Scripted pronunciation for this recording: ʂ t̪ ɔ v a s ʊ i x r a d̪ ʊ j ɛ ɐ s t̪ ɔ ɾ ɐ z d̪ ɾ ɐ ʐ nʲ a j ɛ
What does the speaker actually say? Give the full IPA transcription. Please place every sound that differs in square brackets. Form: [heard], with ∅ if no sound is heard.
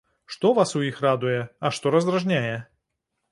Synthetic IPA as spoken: ʂ t̪ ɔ v a s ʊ i x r a d̪ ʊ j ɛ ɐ [ʂ] t̪ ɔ ɾ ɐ z d̪ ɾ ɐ ʐ nʲ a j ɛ